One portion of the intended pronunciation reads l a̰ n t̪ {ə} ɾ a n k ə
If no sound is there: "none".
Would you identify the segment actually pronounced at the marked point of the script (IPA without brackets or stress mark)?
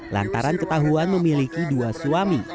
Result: a